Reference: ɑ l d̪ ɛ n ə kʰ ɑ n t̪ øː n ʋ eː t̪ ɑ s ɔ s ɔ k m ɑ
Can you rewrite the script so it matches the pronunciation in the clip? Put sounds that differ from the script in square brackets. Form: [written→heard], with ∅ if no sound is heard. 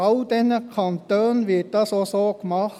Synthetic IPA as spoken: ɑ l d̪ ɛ n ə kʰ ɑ n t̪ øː n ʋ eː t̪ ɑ s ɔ s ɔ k m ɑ